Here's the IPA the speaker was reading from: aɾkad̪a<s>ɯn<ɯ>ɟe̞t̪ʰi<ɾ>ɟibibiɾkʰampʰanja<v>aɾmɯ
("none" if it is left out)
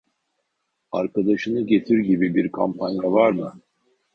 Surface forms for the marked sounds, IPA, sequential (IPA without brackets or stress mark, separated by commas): ʃ, ɯ, ɾ, v